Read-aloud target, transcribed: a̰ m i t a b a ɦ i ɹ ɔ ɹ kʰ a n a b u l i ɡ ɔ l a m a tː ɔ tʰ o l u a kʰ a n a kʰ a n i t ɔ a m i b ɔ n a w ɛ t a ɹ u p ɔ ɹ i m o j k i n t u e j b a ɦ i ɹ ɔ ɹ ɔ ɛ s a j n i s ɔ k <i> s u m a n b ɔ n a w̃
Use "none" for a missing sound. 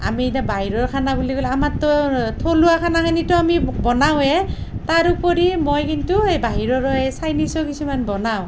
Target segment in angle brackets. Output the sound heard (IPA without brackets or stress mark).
i